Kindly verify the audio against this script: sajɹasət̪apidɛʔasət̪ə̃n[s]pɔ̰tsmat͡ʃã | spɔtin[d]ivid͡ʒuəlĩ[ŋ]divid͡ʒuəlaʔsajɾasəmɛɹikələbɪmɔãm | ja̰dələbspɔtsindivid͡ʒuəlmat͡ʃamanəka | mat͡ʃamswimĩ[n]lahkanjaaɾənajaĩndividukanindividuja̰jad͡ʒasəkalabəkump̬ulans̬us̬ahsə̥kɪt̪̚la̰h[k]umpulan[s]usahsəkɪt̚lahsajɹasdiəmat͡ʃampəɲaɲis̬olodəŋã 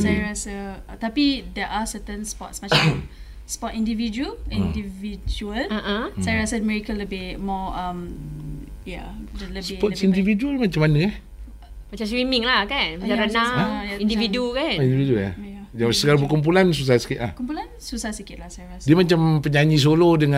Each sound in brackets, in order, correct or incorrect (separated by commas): correct, correct, incorrect, incorrect, correct, correct